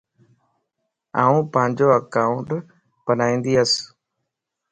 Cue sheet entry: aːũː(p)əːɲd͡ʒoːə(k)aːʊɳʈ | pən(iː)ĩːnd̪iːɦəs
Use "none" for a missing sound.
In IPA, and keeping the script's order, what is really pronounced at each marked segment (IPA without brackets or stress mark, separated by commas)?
p, k, aː